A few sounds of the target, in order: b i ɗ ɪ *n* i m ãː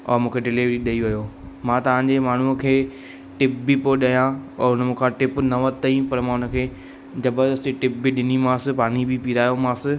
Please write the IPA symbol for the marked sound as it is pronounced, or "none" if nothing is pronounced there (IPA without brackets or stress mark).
n